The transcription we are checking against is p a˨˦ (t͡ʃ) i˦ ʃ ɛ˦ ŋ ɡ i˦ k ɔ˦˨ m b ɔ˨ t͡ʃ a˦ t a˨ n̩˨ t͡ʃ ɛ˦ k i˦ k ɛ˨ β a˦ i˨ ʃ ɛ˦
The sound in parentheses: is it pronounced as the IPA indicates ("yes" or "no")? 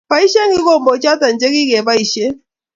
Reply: no